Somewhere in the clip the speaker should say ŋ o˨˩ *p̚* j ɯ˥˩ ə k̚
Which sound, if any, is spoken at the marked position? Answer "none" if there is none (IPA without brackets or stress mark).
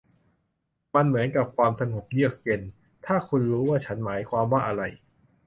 p̚